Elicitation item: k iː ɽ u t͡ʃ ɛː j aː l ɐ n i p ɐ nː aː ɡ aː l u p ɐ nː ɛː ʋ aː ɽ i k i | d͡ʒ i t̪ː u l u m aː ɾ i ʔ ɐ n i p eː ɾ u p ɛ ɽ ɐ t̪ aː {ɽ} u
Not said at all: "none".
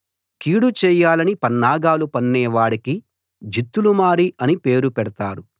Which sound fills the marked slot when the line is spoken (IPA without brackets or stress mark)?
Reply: ɾ